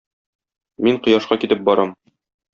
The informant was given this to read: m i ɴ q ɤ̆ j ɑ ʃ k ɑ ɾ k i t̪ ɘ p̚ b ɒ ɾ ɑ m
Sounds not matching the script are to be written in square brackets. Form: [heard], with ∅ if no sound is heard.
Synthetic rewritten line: m i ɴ q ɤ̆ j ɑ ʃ [q] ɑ [∅] k i t̪ ɘ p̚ b ɒ ɾ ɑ m